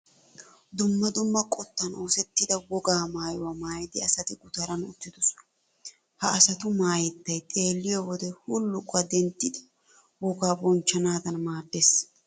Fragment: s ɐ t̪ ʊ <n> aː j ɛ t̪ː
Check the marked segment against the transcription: incorrect: m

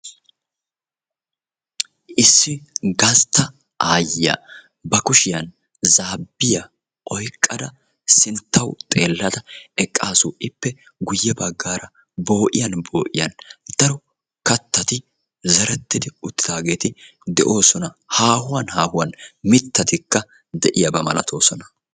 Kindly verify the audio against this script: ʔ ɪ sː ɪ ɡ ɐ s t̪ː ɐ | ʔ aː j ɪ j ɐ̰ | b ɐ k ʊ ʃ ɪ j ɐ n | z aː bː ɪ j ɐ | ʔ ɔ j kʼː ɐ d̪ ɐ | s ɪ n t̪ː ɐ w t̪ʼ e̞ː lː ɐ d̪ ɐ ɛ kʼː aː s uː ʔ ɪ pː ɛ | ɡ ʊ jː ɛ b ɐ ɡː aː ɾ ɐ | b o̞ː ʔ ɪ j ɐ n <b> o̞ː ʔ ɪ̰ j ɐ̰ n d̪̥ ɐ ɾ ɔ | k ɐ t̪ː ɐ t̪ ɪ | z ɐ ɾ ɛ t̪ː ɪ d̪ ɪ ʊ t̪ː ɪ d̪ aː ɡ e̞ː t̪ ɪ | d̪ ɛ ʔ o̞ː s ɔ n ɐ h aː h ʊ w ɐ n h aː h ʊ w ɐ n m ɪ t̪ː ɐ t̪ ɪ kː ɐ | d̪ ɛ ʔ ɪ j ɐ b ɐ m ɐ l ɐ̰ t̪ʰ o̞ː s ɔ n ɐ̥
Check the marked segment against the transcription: correct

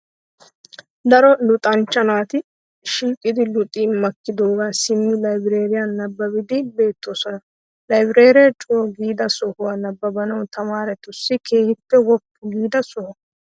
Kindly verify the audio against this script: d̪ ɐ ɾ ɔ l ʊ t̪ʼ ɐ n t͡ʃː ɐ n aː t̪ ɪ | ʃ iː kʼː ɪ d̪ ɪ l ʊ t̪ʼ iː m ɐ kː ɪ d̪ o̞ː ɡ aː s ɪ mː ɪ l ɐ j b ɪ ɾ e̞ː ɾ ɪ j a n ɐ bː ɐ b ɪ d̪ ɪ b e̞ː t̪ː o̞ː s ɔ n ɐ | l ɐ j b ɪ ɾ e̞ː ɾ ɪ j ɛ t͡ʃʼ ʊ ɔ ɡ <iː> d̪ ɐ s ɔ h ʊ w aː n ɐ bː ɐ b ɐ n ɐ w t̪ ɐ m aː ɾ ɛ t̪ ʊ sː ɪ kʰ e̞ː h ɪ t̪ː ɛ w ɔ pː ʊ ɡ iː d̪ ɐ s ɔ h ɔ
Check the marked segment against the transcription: correct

